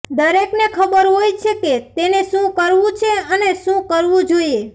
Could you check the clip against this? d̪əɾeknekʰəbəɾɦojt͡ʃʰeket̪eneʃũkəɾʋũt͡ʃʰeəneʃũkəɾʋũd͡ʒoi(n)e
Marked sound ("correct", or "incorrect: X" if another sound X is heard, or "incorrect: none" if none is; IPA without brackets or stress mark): incorrect: none